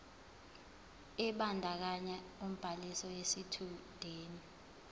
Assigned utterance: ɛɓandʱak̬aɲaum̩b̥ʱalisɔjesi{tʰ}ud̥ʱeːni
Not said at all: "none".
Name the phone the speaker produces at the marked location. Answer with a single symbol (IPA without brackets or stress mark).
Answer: tʰ